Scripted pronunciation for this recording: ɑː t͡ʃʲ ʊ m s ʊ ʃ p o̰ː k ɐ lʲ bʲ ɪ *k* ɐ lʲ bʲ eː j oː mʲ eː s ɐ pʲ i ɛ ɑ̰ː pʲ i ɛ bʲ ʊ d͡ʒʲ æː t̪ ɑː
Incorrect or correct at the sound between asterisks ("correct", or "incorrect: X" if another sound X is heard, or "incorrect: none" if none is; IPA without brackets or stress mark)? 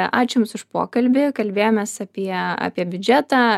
correct